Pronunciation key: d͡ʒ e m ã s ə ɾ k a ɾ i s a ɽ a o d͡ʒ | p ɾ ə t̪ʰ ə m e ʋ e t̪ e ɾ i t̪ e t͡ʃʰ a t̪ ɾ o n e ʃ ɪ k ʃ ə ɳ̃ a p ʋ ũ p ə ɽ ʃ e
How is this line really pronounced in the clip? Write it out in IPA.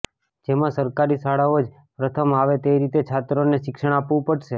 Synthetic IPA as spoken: d͡ʒ e m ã s ə ɾ k a ɾ i s a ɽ a o d͡ʒ | p ɾ ə t̪ʰ ə m a ʋ e t̪ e ɾ i t̪ e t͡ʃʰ a t̪ ɾ o n e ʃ ɪ k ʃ ə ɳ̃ a p ʋ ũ p ə ɽ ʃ e